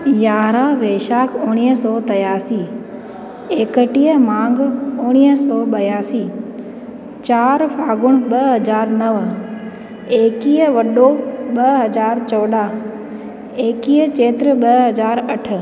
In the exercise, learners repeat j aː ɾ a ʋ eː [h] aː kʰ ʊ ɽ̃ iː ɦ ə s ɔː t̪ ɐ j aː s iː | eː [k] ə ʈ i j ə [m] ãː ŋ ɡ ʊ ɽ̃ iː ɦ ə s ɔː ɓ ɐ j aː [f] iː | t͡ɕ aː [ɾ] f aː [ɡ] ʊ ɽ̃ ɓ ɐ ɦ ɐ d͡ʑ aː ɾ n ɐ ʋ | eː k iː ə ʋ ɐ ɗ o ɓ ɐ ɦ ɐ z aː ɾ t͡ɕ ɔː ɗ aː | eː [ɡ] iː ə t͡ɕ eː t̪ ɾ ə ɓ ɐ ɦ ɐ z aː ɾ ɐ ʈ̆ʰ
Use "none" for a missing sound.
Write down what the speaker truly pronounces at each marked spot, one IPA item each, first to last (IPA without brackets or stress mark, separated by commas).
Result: ʃ, k, m, s, ɾ, ɡ, k